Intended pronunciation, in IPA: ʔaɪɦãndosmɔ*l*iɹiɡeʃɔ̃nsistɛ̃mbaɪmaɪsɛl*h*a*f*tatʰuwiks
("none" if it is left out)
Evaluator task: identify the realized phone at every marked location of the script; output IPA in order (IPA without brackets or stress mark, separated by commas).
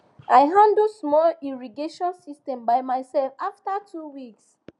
l, f, f